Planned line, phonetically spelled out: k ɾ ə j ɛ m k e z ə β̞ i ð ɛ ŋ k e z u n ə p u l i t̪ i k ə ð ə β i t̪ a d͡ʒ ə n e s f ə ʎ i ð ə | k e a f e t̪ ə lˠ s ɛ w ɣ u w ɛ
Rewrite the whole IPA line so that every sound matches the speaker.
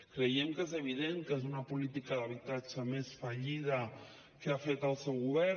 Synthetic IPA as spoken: k ɾ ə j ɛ m k e z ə β̞ i ð e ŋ k e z u n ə p u l i t̪ i k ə ð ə β i t̪ a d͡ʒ ə m e s f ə ʎ i ð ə | k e a f e t̪ ə lˠ s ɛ w ɣ u β ɛ